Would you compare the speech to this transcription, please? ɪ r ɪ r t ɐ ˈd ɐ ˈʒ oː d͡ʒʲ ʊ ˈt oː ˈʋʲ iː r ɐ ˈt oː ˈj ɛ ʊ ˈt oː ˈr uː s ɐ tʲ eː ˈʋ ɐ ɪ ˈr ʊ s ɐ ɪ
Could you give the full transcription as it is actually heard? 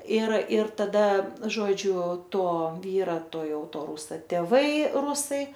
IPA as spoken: ɪ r ɪ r t ɐ ˈd ɐ ˈʒ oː d͡ʒʲ ʊ ˈt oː ˈʋʲ iː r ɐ ˈt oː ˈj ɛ ʊ ˈt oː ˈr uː s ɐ tʲ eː ˈʋ ɐ ɪ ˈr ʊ s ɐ ɪ